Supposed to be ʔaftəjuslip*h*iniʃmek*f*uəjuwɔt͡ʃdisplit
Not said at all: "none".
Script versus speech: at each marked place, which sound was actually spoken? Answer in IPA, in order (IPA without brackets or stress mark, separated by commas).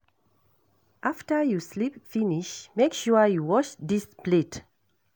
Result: f, ʃ